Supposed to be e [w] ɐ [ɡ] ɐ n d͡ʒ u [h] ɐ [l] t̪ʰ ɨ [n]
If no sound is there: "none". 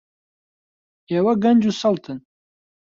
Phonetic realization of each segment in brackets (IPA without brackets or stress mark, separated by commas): w, ɡ, s, l, n